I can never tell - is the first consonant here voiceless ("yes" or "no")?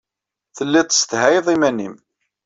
yes